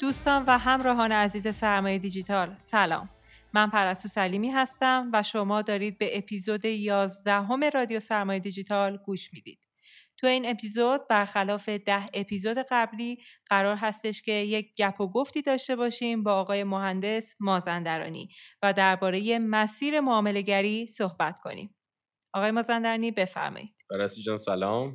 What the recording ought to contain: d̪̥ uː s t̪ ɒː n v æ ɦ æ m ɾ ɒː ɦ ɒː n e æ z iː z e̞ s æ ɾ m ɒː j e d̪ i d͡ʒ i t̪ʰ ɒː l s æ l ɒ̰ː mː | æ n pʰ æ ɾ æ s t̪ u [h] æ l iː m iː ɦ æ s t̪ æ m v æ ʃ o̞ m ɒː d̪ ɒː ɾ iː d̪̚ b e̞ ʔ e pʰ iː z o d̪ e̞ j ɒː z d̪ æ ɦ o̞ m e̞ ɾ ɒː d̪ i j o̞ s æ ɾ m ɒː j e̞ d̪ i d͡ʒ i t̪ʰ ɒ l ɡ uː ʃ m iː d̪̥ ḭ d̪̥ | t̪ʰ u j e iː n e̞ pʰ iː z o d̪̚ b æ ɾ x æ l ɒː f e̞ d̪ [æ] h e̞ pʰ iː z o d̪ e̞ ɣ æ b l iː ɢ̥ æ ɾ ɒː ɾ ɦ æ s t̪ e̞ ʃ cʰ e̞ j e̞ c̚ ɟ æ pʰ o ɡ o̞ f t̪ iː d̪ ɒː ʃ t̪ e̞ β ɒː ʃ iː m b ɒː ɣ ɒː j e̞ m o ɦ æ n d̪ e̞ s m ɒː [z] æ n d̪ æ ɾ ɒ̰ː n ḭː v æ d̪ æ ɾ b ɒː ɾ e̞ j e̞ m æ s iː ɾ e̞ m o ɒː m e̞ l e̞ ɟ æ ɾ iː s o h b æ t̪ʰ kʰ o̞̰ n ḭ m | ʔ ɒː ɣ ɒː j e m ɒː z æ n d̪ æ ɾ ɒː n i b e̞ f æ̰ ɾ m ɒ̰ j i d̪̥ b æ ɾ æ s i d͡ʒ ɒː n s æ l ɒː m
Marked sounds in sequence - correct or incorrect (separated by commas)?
incorrect, correct, correct